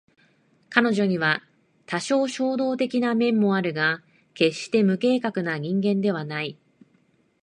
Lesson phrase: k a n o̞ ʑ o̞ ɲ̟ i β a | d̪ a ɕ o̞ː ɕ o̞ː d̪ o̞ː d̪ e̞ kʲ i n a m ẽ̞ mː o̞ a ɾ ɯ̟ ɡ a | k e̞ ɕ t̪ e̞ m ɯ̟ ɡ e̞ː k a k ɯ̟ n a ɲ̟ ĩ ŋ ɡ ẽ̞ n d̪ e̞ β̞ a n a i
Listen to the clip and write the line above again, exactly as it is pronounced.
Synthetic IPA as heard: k a n o̞ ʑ o̞ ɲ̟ i β a | t̪ a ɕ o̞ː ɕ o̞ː d̪ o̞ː t̪ e̞ kʲ i n a m ẽ̞ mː o̞ a ɾ ɯ̟ ɡ a | k e̞ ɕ t̪ e̞ m ɯ̟ k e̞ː k a k ɯ̟ n a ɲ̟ ĩ ŋ ɡ ẽ̞ n d̪ e̞ β̞ a n a i

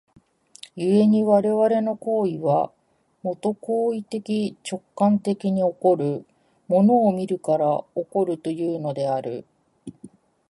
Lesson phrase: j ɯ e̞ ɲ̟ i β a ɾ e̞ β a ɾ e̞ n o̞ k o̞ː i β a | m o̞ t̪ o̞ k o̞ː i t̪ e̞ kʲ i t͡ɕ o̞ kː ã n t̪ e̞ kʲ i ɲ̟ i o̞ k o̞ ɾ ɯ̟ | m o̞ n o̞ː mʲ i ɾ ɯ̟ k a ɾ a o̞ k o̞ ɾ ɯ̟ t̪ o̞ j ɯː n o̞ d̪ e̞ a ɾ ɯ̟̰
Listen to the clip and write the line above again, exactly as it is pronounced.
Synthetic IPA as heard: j ɯ e̞ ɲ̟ i β a ɾ e̞ β a ɾ e̞ n o̞ k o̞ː i β a | m o̞ t̪ o̞ k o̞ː i t̪ e̞ kʲ i t͡ɕ o̞ kː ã n t̪ e̞ kʲ i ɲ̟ i o̞ k o̞ ɾ ɯ̟ | m o̞ n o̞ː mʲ i ɾ ɯ̟ k a ɾ a o̞ k o̞ ɾ ɯ̟ t̪ o̞ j ɯː n o̞ d̪ e̞ a ɾ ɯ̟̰

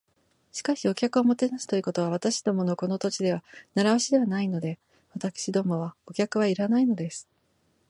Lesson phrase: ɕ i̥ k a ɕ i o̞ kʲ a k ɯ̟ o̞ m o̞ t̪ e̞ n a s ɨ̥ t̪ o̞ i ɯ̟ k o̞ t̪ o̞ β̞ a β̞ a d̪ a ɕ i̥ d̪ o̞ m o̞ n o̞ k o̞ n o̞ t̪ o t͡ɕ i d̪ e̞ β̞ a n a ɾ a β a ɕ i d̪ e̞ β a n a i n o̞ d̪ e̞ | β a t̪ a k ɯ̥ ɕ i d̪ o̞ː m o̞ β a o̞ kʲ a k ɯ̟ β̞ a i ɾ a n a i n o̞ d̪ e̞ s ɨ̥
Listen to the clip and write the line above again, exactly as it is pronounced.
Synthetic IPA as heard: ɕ i̥ k a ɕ i o̞ kʲ a k ɯ̟ o̞ m o̞ t̪ e̞ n a s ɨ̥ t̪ o̞ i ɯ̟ k o̞ t̪ o̞ β̞ a β̞ a t̪ a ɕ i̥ d̪ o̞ m o̞ n o̞ k o̞ n o̞ t̪ o t͡ɕ i d̪ e̞ β̞ a n a ɾ a β a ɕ i d̪ e̞ β a n a i n o̞ d̪ e̞ | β a t̪ a k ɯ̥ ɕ i d̪ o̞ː m o̞ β a o̞ kʲ a k ɯ̟ β̞ a i ɾ a n a i n o̞ d̪ e̞ s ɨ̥

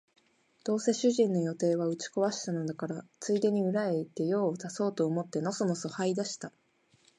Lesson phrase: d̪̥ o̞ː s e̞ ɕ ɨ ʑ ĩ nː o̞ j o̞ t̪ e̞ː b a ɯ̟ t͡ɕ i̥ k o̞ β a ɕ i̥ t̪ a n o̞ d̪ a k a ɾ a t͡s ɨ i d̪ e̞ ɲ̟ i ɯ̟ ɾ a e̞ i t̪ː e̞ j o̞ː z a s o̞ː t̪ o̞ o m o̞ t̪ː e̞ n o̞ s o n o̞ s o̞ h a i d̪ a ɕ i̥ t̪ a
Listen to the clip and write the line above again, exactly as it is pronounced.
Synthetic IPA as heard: d̪̥ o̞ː s e̞ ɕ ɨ ʑ ĩ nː o̞ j o̞ t̪ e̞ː β a ɯ̟ t͡ɕ i̥ k o̞ β a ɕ i̥ t̪ a n o̞ d̪ a k a ɾ a t͡s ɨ i d̪ e̞ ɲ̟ i ɯ̟ ɾ a e̞ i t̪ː e̞ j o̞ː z a s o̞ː t̪ o̞ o m o̞ t̪ː e̞ n o̞ s o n o̞ s o̞ h a i d̪ a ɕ i̥ t̪ a

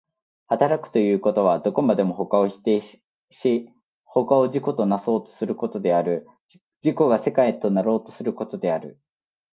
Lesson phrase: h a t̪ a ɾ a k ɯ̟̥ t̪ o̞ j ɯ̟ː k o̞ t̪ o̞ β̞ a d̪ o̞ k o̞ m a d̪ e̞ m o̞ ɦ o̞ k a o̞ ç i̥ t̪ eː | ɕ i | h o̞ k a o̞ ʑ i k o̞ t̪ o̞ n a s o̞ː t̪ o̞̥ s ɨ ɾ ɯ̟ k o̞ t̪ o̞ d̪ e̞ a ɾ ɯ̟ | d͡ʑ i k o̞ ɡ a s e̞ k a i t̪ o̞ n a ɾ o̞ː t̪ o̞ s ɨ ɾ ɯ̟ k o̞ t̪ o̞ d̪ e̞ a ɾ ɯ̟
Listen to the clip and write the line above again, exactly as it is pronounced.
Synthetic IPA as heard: h a t̪ a ɾ a k ɯ̟̥ t̪ o̞ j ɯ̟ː k o̞ t̪ o̞ β̞ a d̪ o̞ k o̞ m a d̪ e̞ m o̞ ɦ o̞ k a o̞ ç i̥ t̪ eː | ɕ i | h o̞ k a o̞ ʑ i k o̞ t̪ o̞ n a s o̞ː t̪ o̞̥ s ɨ ɾ ɯ̟ k o̞ t̪ o̞ d̪ e̞ a ɾ ɯ̟ | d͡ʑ i k o̞ ɡ a s e̞ k a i t̪ o̞ n a ɾ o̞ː t̪ o̞ s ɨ ɾ ɯ̟ k o̞ t̪ o̞ d̪ e̞ a ɾ ɯ̟

